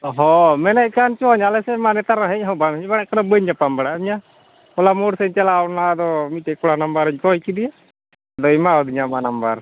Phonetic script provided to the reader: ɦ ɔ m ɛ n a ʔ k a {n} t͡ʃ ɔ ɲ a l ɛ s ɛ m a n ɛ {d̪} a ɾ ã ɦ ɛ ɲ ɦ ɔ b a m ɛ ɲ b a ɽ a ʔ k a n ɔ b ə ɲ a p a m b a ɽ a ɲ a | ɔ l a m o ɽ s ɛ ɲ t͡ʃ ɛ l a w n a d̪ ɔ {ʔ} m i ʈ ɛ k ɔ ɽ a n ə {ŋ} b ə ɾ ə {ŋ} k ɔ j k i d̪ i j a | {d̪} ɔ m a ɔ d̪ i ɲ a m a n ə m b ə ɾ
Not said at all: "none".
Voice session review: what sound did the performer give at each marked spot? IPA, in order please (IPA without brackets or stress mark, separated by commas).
n, t̪, none, m, ɲ, d̪